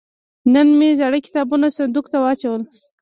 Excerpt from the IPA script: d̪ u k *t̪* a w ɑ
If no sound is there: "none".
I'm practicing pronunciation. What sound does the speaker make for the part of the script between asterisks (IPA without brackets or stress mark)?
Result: t̪